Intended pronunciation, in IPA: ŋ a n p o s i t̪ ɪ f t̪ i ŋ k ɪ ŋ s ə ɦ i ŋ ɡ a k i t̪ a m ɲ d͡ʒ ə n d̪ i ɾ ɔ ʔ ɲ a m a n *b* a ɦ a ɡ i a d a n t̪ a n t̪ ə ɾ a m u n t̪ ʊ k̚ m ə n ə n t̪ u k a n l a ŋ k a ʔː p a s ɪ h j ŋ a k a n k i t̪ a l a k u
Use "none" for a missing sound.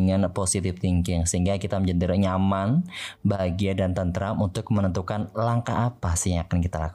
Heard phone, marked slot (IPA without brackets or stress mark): b